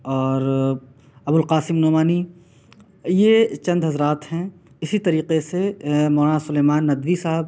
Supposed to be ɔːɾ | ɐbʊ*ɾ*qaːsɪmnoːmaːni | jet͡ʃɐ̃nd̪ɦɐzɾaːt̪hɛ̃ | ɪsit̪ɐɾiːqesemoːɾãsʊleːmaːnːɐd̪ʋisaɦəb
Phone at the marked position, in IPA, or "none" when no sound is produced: l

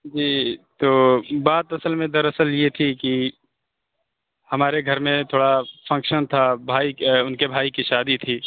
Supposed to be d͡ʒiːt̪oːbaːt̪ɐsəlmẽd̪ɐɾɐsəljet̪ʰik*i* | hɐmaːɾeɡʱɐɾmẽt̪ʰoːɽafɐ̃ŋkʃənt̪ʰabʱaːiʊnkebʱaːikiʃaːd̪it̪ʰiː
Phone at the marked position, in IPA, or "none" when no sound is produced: i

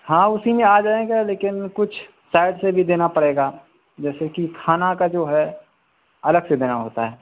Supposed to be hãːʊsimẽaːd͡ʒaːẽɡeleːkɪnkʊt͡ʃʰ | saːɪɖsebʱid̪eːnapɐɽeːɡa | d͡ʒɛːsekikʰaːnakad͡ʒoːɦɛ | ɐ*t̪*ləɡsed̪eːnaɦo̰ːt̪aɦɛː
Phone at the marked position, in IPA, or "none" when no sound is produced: none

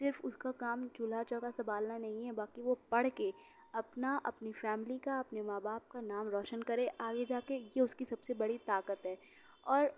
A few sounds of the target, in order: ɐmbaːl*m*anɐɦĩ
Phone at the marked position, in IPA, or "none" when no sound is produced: n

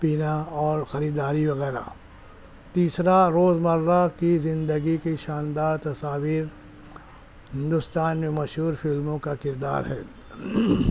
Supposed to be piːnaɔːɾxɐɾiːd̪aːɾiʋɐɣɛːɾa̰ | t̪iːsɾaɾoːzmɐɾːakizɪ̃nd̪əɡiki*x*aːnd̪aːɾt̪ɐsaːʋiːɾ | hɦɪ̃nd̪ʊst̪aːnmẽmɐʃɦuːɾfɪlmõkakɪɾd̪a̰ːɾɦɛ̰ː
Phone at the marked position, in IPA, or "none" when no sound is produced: ʃ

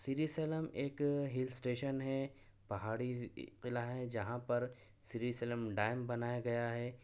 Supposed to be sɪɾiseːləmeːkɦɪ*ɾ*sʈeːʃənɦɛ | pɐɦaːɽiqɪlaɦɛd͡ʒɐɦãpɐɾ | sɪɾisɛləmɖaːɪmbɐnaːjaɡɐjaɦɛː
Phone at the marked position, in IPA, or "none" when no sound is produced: l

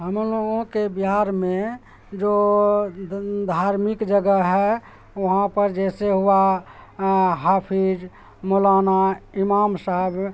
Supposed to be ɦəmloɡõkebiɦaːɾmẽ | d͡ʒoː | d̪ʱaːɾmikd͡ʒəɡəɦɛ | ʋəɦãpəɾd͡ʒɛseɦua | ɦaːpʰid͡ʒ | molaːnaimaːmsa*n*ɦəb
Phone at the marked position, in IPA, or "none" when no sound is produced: none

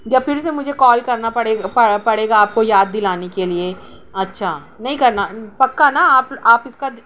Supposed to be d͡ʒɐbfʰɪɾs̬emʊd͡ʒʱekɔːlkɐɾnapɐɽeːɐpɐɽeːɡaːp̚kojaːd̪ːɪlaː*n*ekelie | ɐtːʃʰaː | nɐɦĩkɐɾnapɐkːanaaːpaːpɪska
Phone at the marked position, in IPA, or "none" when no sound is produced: n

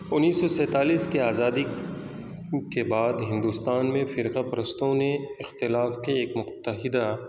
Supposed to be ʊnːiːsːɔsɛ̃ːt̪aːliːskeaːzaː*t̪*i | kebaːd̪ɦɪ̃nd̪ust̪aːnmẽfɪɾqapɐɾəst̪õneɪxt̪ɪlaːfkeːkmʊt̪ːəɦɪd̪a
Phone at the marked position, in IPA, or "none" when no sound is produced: d̪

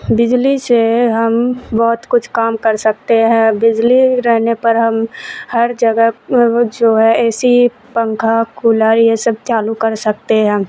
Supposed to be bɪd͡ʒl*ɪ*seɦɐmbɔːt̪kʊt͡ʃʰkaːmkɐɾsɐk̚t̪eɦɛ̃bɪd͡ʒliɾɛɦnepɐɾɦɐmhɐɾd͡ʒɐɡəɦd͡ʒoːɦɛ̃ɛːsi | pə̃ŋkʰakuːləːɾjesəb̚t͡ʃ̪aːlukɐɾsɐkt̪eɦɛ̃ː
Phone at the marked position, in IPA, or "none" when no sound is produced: i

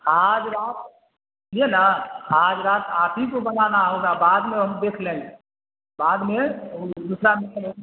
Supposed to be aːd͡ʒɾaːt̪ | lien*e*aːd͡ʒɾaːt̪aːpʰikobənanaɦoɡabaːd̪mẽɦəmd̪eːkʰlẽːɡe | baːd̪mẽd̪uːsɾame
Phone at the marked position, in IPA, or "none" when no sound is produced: a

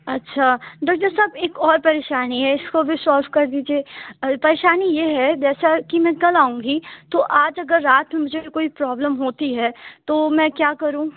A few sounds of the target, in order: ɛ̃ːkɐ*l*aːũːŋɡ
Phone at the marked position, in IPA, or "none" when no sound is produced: l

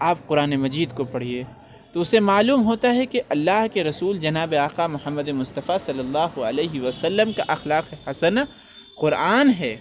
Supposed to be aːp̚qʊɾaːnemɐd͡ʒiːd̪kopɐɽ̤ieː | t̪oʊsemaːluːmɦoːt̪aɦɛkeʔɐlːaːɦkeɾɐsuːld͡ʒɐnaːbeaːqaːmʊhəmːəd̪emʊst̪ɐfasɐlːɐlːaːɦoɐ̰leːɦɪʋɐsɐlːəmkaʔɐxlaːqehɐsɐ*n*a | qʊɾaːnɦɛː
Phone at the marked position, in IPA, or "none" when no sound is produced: n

